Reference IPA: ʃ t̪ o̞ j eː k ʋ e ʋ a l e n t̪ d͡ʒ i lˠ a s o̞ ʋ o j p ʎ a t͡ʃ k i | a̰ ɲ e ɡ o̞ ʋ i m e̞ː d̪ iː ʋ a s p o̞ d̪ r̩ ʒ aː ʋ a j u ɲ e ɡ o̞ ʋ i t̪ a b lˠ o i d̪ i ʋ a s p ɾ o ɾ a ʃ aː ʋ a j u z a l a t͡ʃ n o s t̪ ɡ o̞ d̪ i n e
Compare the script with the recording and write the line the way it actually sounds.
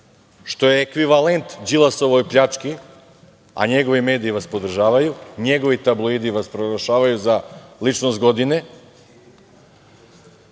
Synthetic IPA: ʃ t̪ o̞ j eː k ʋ i ʋ a l e n t̪ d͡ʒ i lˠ a s o̞ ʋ o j p ʎ a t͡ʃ k i | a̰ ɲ e ɡ o̞ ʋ i m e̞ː d̪ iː ʋ a s p o̞ d̪ r̩ ʒ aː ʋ a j u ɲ e ɡ o̞ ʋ i t̪ a b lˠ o i d̪ i ʋ a s p ɾ o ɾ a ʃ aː ʋ a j u z a l i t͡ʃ n o s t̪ ɡ o̞ d̪ i n e